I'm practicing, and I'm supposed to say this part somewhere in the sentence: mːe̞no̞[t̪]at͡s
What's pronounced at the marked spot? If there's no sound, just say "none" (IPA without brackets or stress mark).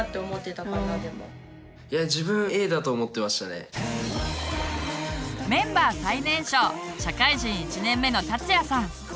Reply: t̪